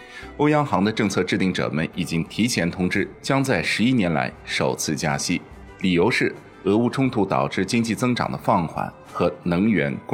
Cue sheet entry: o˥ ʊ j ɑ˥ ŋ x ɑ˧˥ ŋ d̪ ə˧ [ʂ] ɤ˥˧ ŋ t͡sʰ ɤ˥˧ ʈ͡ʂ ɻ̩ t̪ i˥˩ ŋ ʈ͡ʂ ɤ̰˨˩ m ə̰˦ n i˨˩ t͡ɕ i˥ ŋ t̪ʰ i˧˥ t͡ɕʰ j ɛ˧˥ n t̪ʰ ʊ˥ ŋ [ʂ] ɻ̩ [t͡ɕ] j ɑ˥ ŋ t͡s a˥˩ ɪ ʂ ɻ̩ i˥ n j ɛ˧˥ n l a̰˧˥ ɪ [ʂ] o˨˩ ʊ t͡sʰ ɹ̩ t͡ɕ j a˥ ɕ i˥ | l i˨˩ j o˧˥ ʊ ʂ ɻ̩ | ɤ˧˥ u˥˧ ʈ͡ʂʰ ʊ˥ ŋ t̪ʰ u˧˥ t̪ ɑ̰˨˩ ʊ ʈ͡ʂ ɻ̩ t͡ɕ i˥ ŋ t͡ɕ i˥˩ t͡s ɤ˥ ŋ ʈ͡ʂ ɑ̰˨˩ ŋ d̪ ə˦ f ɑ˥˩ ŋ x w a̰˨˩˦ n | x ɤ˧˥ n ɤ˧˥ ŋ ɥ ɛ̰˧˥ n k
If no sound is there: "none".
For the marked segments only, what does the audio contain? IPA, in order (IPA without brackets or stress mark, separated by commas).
ʈ͡ʂ, ʈ͡ʂ, t͡ɕ, ʂ